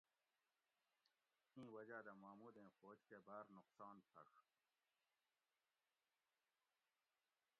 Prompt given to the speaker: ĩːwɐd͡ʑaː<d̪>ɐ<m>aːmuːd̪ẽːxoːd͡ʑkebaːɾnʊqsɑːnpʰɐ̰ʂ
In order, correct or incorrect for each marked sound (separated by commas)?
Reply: correct, correct